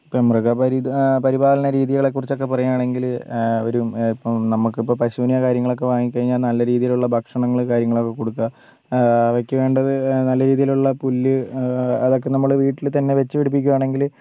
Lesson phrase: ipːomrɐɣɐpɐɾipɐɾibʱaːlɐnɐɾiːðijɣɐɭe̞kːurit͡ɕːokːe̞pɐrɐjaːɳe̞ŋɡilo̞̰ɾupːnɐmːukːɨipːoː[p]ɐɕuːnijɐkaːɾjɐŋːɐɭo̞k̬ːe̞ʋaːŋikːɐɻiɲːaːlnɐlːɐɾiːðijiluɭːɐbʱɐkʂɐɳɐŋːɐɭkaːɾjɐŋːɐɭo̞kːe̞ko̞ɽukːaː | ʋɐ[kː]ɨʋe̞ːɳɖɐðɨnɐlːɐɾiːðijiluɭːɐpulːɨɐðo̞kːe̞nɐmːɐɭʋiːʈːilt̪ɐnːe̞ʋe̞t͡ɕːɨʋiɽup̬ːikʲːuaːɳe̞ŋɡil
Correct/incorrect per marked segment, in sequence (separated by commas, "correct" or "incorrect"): correct, correct